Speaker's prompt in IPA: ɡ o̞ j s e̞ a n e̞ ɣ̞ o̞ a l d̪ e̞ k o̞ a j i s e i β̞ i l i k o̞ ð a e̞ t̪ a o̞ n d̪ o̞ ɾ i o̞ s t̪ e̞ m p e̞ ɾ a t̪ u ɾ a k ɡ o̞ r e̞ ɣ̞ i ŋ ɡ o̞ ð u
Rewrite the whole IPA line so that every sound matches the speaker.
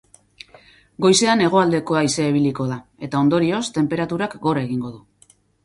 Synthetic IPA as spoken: ɡ o̞ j s e̞ a n e̞ ɣ̞ o̞ a l d̪ e̞ k o̞ a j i s e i β̞ i l i k o̞ ð a e̞ t̪ a o̞ n d̪ o̞ ɾ i o̞ s t̪ e̞ m p e̞ ɾ a t̪ u ɾ a k ɡ o̞ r e̞ ɣ̞ i ŋ ɡ o̞ ð u